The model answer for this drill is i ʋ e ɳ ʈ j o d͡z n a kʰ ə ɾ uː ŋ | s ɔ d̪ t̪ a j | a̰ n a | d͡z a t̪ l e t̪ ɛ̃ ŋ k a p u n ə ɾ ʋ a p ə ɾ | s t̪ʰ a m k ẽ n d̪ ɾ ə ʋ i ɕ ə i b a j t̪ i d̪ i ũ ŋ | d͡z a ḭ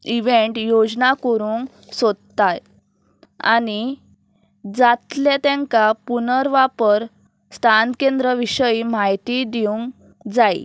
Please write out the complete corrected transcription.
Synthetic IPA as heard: i ʋ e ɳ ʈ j o d͡z n a k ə ɾ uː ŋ | s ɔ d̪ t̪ a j | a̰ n i | d͡z a t̪ l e t̪ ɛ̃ ŋ k a p u n ə ɾ ʋ a p ə ɾ | s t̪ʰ a n k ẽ n d̪ ɾ ə ʋ i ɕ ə i m a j t̪ i d̪ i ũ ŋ | d͡z a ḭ